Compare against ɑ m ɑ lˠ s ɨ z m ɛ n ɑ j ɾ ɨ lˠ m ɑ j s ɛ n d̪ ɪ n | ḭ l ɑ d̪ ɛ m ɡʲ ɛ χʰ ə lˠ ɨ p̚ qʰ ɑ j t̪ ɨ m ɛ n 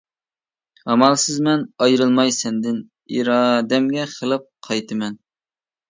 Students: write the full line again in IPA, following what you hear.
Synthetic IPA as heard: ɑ m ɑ lˠ s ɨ z m ɛ n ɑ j ɾ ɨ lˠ m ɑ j s ɛ n d̪ ɪ n | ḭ ɾ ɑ d̪ ɛ m ɡʲ ɛ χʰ ə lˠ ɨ p̚ qʰ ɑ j t̪ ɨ m ɛ n